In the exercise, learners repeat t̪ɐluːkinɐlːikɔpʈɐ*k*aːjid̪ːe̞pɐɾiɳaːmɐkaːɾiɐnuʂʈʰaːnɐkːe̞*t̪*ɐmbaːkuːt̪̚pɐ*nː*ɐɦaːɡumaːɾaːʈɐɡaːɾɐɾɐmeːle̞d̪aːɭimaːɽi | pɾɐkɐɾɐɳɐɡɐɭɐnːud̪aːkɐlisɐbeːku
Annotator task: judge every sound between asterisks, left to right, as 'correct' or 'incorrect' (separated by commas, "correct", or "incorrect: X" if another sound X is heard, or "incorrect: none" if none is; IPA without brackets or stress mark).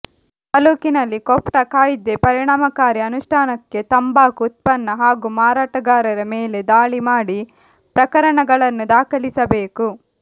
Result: correct, correct, correct